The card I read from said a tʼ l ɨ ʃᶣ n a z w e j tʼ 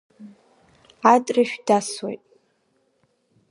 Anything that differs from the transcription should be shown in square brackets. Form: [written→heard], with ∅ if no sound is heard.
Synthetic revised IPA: a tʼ [l→r] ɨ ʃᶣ [n→d] a [z→s] w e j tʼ